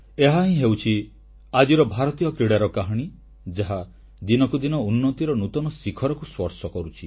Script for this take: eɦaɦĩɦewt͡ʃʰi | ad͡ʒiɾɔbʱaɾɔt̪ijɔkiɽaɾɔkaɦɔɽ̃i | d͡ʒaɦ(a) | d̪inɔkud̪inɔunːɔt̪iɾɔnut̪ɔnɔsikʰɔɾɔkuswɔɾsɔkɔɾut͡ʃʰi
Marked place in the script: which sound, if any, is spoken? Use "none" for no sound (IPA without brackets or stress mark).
a